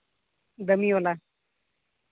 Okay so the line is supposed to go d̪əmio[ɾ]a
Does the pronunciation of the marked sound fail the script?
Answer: yes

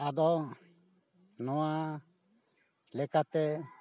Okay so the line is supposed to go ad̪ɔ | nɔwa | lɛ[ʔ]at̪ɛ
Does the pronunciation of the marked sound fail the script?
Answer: yes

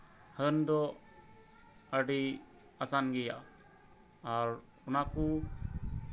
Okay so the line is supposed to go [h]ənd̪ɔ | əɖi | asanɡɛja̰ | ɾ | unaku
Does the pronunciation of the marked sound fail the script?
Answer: no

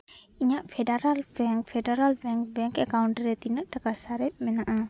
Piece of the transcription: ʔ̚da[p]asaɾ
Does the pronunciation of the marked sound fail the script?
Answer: yes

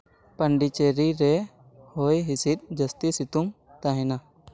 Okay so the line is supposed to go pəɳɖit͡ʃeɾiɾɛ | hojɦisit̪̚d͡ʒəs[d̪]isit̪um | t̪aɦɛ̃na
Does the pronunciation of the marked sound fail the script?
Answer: yes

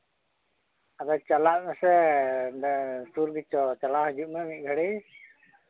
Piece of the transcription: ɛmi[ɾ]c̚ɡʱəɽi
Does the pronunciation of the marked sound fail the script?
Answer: yes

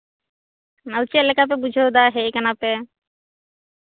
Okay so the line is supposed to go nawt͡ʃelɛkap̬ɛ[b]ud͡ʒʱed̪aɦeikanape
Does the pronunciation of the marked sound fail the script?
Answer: no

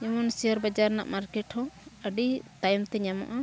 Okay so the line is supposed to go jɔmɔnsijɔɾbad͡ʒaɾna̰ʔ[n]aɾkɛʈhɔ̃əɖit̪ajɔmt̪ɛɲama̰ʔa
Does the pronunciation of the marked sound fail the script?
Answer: yes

